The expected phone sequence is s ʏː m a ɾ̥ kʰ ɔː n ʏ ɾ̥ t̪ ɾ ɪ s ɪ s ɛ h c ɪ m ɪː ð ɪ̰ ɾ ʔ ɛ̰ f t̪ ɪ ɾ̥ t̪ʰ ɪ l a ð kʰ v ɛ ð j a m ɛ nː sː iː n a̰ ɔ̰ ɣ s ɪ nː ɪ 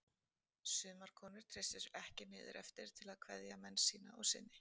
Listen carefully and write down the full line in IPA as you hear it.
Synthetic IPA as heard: s ʏː m a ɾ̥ kʰ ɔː n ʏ ɾ̥ t̪ʰ ɾ ɪ s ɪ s ɛ h c ɪ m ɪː ð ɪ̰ ɾ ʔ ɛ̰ f t̪ ɪ ɾ̥ t̪ʰ ɪ l a ð kʰ v ɛ ð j a m ɛ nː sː iː n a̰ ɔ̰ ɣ s ɪ nː ɪ